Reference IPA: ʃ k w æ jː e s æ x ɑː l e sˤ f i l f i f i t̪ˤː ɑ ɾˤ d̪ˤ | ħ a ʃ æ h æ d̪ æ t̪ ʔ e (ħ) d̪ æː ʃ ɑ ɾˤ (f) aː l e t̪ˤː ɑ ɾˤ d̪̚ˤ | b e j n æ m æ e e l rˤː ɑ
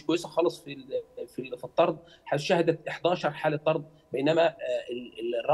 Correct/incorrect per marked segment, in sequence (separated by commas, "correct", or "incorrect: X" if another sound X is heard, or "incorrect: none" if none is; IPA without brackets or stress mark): correct, incorrect: ħ